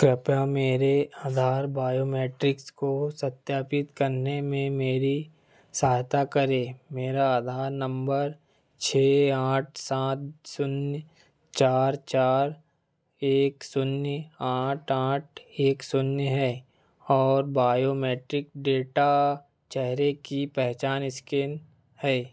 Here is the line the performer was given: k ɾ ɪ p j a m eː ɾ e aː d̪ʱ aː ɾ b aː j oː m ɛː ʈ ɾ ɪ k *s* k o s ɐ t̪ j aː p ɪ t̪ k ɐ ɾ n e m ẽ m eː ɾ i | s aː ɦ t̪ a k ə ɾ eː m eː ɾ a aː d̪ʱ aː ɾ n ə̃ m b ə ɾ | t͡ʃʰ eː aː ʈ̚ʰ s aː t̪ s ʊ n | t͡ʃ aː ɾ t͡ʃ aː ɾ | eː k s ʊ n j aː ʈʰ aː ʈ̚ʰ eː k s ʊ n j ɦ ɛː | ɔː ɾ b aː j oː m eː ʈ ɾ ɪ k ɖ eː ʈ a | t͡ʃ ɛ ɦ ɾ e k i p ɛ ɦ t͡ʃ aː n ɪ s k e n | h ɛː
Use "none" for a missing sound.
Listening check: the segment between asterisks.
s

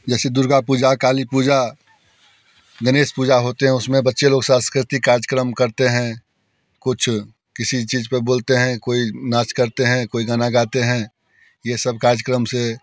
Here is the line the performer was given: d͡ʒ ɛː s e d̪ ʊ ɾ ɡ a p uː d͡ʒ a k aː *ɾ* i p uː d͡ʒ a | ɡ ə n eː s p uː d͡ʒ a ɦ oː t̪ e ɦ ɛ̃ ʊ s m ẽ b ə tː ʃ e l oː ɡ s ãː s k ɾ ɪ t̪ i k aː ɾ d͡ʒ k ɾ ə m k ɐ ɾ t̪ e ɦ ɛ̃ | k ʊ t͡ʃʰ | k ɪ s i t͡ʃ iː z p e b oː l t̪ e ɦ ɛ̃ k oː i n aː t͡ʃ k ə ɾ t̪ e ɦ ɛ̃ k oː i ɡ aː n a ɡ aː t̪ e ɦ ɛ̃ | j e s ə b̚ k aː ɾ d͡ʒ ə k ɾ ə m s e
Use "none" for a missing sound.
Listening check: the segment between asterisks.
l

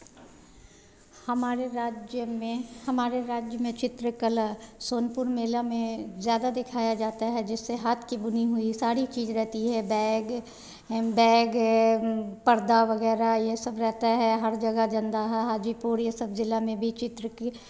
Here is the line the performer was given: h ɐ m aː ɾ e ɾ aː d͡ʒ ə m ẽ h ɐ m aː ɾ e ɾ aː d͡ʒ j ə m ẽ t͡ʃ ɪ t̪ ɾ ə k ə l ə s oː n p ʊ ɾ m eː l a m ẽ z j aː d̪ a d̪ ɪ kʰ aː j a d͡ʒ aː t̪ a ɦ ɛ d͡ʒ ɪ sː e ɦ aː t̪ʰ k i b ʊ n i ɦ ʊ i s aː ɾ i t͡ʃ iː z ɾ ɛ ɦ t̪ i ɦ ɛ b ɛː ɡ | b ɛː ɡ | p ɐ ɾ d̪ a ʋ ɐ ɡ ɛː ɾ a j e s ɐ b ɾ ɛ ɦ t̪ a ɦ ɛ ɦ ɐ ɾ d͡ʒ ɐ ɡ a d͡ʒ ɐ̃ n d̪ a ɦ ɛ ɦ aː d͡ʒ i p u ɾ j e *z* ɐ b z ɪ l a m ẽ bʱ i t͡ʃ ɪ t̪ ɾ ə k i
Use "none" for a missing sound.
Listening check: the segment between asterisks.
s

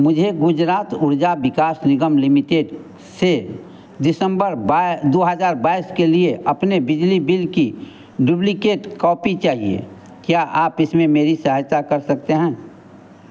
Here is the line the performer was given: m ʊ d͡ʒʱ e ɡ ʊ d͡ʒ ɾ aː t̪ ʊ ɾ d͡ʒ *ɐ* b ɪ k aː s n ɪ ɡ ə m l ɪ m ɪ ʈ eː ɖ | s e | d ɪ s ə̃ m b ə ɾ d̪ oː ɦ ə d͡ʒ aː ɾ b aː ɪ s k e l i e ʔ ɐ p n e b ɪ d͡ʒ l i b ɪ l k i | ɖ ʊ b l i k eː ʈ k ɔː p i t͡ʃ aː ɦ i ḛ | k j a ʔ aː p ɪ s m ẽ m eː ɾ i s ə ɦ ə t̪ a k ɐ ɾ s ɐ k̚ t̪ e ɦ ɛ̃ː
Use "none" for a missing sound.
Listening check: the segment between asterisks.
a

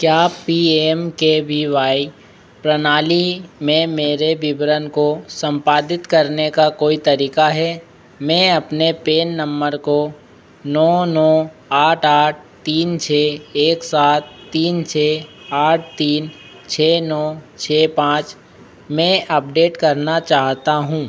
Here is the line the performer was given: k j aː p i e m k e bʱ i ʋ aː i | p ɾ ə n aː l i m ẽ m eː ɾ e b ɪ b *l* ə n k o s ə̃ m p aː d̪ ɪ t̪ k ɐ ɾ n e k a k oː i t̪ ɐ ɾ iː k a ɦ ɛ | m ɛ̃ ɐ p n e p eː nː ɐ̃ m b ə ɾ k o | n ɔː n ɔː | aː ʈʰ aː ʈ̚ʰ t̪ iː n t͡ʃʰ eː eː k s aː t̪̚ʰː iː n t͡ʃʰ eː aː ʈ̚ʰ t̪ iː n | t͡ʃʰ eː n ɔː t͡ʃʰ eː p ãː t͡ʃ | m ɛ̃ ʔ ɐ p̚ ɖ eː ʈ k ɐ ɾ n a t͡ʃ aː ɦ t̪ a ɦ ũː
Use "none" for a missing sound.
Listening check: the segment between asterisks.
ɾ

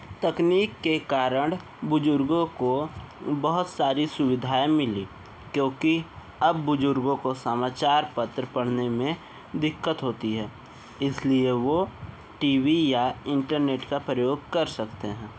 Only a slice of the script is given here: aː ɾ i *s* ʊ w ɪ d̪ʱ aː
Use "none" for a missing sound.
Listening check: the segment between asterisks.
s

